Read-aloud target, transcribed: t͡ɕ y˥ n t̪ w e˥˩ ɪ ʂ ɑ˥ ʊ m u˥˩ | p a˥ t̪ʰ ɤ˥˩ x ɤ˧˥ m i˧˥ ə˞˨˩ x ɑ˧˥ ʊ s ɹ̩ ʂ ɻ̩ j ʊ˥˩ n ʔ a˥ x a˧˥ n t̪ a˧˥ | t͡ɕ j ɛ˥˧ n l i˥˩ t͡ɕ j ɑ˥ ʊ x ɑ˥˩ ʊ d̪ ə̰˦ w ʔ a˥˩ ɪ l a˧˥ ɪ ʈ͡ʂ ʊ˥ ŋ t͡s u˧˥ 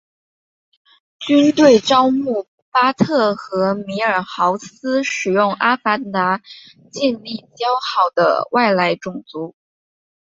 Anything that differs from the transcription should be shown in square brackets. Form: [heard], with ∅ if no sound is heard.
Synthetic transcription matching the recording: t͡ɕ y˥ n t̪ w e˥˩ ɪ [ʈ͡ʂ] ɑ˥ ʊ m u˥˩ | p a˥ t̪ʰ ɤ˥˩ x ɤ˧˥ m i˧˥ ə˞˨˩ x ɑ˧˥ ʊ s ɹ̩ ʂ ɻ̩ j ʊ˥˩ [ŋ] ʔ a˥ [f] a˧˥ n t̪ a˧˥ | t͡ɕ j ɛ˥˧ n l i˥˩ t͡ɕ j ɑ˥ ʊ x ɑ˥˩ ʊ d̪ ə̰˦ w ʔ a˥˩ ɪ l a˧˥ ɪ ʈ͡ʂ [ʊ˨˩] ŋ t͡s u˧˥